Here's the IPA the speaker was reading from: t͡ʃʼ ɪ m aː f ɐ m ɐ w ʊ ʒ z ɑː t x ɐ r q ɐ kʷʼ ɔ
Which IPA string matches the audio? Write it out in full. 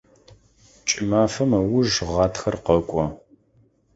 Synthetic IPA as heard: t͡ʃʼ ɪ m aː f ɐ m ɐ w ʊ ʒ ʁ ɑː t x ɐ r q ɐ kʷʼ ɔ

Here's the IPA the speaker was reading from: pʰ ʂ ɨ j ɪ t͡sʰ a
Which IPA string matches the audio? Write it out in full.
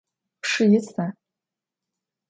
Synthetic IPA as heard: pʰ ʂ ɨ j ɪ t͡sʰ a

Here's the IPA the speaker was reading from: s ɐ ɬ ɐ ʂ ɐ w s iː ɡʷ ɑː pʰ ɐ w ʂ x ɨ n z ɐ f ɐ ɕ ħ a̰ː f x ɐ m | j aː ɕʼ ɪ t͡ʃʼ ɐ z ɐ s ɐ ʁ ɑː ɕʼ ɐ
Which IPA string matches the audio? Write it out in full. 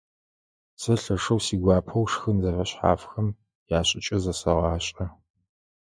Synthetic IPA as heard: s ɐ ɬ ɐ ʂ ɐ w s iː ɡʷ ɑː pʰ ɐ w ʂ x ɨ n z ɐ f ɐ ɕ ħ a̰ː f x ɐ m | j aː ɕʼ ɪ t͡ʃʼ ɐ z ɐ s ɐ ʁ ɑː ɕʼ ɐ

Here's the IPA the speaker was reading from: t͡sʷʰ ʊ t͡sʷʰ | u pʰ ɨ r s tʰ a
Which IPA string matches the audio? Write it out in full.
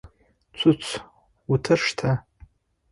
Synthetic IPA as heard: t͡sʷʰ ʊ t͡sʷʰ | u tʰ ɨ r ʂ tʰ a

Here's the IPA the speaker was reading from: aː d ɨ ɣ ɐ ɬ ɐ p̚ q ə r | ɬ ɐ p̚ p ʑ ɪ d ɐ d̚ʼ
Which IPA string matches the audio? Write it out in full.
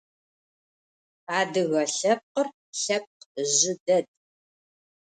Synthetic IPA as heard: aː d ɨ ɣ ɐ ɬ ɐ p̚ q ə r | ɬ ɐ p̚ q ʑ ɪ d ɐ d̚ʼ

